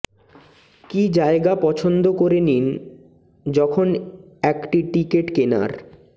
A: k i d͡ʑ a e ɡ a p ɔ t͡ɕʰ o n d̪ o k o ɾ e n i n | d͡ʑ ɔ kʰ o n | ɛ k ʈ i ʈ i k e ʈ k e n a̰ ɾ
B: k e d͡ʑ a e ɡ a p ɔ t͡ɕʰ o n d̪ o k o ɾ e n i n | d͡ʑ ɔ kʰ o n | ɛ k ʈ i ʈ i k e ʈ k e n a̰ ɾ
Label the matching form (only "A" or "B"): A